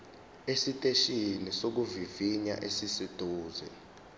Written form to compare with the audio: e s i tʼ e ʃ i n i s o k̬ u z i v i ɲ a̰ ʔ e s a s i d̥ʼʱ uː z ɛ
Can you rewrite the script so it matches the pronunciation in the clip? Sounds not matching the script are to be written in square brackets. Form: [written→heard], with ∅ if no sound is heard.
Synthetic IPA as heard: e s i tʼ e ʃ i n i s o k̬ u [z→v] i v i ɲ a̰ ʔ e s [a→i] s i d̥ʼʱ uː z ɛ

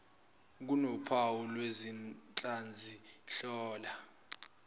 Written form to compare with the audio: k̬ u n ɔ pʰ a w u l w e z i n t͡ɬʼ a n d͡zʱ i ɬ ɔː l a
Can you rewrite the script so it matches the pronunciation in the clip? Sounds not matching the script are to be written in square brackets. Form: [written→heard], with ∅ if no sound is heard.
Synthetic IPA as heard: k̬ u n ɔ pʰ a w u l w e z i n t͡ɬʼ a n d͡zʱ i ɬ ɔː l a

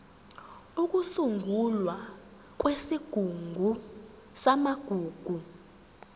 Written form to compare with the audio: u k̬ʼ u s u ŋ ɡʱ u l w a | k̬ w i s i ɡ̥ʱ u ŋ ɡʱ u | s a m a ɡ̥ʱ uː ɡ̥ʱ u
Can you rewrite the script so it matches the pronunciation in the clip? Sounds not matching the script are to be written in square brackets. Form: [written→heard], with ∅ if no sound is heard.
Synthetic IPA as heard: u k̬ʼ u s u ŋ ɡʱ u l w a | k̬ w [i→e] s i ɡ̥ʱ u ŋ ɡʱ u | s a m a ɡ̥ʱ uː ɡ̥ʱ u

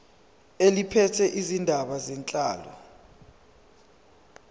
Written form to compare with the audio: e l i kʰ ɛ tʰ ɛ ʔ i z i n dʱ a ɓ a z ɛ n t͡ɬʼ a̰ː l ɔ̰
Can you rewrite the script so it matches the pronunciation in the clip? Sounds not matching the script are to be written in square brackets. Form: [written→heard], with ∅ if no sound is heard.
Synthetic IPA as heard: e l i [kʰ→pʰ] ɛ tʰ ɛ ʔ i z i n dʱ a ɓ a z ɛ n t͡ɬʼ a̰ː l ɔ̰

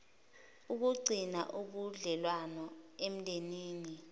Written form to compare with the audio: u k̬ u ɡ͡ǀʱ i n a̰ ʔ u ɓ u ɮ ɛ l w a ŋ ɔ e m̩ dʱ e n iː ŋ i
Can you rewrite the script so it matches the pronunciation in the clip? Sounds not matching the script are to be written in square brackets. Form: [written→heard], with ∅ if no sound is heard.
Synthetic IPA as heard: u k̬ u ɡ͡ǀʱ i n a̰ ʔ u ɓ u ɮ ɛ l w a [ŋ→n] ɔ e m̩ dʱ e n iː [ŋ→n] i

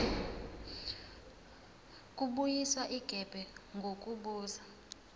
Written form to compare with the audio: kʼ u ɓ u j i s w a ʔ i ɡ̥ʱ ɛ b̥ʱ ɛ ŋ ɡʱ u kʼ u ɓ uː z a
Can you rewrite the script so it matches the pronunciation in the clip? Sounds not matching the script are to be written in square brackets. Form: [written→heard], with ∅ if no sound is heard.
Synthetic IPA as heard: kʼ u ɓ u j i s w a ʔ i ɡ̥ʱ ɛ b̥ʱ ɛ ŋ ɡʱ [u→o] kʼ u ɓ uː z a

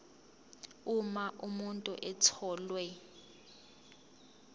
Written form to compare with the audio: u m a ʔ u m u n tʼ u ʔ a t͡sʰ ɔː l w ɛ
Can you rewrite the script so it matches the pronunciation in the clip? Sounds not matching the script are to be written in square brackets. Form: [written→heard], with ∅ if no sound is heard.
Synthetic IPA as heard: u m a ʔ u m u n tʼ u ʔ [a→ɛ] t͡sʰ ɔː l w ɛ

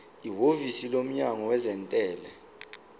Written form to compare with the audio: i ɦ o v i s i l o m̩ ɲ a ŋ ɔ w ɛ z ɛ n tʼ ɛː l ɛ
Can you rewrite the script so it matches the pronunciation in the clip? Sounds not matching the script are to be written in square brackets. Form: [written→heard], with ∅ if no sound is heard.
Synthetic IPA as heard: i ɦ o v i s i l o m̩ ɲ a ŋ ɔ w ɛ z ɛ n tʼ ɛː l ɛ

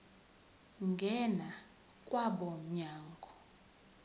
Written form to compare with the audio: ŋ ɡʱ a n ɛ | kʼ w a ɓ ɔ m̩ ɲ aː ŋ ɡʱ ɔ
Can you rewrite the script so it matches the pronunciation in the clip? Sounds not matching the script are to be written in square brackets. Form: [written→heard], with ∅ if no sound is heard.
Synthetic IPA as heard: ŋ ɡʱ [a→ɛ] n [ɛ→a] | kʼ w a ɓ ɔ m̩ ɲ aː ŋ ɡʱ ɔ

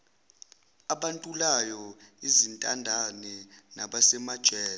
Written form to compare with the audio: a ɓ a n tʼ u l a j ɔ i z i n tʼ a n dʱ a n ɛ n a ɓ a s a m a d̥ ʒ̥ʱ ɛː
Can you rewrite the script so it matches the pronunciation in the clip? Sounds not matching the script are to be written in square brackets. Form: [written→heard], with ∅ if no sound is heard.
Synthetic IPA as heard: a ɓ a n tʼ u l a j ɔ i z i n tʼ a n dʱ a n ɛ n a ɓ a s [a→ɛ] m a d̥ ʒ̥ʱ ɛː

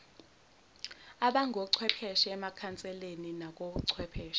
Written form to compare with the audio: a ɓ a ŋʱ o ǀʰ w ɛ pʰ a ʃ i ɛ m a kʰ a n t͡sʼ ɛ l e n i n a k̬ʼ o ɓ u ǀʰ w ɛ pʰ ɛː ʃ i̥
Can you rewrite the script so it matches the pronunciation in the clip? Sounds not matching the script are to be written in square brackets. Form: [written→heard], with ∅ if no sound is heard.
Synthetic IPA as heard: a ɓ a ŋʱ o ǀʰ w ɛ pʰ [a→ɛ] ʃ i ɛ m a kʰ a n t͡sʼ ɛ l e n i n a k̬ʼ o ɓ u ǀʰ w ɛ pʰ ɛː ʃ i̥

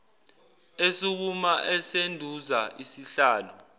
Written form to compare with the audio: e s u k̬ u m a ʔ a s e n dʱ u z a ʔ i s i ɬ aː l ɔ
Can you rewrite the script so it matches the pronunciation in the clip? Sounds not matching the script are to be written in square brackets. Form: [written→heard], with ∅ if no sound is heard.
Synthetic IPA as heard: e s u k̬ u m a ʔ [a→ɛ] s e n dʱ u z a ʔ i s i ɬ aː l ɔ

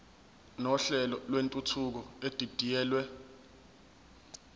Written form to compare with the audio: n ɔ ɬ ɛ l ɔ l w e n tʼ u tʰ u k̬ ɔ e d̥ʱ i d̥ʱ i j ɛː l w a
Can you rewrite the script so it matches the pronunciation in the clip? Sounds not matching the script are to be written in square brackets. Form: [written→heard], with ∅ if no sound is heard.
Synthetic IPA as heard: n ɔ ɬ ɛ l ɔ l w e n tʼ u tʰ u k̬ ɔ e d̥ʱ i d̥ʱ i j ɛː l w [a→ɛ]

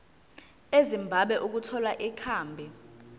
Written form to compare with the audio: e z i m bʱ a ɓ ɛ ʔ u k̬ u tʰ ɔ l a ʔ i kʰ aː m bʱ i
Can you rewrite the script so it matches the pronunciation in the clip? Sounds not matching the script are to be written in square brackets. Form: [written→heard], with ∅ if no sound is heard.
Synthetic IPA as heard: e z i m bʱ a ɓ ɛ ʔ u k̬ u tʰ ɔ l a ʔ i kʰ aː m bʱ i

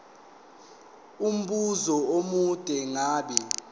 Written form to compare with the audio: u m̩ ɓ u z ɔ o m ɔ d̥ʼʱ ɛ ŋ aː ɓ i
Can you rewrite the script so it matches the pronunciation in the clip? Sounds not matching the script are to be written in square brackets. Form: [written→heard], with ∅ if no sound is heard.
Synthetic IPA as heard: u m̩ ɓ u z ɔ o m [ɔ→u] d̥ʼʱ ɛ ŋ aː ɓ [i→ɛ]

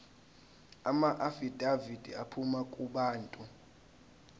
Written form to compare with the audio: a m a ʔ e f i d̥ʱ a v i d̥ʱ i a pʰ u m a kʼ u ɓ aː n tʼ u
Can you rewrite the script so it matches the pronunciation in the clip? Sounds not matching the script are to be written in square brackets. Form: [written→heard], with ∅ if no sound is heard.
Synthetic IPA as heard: a m a ʔ [e→a] f i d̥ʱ a v i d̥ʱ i a pʰ u m a kʼ u ɓ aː n tʼ u

